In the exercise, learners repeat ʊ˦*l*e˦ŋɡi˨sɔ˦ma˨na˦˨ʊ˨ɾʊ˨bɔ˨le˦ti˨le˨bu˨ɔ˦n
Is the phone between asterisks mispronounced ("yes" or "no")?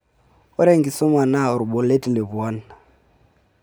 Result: yes